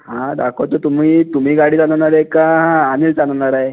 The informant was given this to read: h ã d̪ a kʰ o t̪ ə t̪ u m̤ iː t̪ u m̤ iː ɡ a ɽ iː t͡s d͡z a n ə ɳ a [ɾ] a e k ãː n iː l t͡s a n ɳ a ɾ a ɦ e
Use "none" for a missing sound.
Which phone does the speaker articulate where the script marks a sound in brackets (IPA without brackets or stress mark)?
ɾ